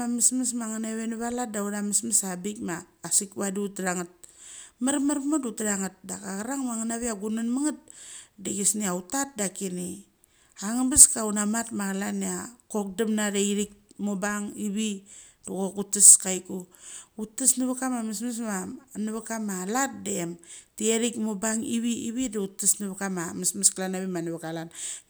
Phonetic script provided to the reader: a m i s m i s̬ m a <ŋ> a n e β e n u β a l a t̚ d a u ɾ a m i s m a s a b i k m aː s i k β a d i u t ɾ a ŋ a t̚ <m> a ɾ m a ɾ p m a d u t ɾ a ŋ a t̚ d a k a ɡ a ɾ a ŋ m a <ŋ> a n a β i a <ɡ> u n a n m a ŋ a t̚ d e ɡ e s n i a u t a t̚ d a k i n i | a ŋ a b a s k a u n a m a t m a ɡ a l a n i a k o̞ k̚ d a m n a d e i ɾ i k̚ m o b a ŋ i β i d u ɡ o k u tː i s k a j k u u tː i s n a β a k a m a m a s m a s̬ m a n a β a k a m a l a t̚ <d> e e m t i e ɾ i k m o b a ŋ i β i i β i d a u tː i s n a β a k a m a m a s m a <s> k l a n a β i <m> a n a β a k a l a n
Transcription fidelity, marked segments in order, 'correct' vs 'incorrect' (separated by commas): correct, correct, correct, correct, correct, correct, correct